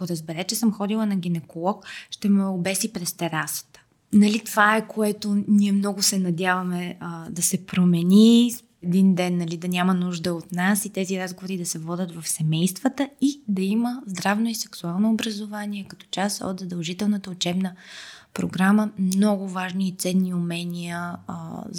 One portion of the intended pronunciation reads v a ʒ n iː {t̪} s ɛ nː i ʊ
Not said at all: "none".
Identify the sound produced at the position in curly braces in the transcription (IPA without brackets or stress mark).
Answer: t̪